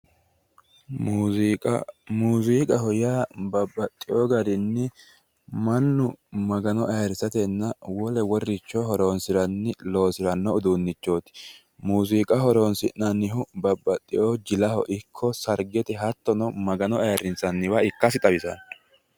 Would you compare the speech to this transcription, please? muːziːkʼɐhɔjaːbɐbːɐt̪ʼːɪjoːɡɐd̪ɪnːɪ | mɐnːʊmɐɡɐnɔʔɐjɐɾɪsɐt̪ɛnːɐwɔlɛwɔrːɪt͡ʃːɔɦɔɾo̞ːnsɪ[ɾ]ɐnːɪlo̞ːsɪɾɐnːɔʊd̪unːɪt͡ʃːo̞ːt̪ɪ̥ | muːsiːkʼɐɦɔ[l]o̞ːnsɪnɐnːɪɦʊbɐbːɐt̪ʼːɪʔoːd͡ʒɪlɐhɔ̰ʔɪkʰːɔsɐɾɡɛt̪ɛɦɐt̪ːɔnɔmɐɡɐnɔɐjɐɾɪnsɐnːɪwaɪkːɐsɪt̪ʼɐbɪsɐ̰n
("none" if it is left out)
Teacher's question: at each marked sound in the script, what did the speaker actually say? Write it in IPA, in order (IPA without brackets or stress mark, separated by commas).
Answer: ɾ, ɾ